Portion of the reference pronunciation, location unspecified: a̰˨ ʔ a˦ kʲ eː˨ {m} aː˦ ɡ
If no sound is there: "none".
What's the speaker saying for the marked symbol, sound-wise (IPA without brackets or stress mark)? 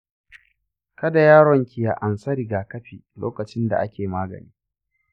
m